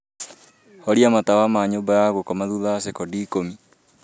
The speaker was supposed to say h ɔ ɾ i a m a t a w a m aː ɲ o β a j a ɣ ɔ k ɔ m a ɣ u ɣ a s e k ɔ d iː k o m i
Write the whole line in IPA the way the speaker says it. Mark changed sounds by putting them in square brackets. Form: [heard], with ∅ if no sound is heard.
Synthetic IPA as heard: h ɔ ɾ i a m a t a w a m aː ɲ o [b] a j a ɣ [o] k ɔ m a [ð] u [ð] a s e k ɔ d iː k o m i